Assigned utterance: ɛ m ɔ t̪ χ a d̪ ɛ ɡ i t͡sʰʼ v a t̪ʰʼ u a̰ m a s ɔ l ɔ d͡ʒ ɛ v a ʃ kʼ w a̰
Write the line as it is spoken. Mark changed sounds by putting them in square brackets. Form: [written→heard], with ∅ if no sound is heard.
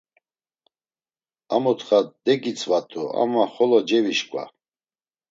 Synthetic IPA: [ɛ→a] m ɔ t̪ χ a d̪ ɛ ɡ i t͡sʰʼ v a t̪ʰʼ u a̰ m a [s→χ] ɔ l ɔ d͡ʒ ɛ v [a→i] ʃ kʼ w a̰